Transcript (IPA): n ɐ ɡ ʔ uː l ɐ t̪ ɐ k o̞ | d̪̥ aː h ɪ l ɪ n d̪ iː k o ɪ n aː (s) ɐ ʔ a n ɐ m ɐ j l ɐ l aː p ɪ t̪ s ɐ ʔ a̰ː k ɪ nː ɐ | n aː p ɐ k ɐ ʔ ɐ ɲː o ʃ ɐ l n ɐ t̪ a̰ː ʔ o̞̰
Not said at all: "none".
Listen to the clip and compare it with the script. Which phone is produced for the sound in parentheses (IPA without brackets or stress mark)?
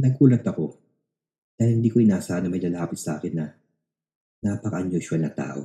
s